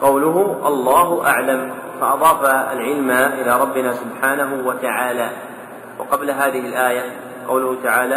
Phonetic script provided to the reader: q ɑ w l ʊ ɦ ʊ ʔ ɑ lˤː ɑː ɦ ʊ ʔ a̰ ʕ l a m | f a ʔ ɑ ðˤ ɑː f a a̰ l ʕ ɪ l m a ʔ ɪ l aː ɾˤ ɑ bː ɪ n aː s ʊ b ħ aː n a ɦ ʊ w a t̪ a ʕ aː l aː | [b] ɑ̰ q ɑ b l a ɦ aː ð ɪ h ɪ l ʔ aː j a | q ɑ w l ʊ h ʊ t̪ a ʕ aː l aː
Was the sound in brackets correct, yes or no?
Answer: no